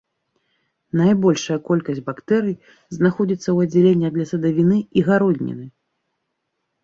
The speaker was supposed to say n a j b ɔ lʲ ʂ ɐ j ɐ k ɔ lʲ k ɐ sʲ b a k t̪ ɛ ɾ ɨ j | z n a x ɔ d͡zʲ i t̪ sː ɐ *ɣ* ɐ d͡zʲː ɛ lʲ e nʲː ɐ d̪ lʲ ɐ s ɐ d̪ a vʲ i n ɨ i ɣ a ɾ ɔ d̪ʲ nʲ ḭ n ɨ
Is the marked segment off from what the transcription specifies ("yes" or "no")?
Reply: yes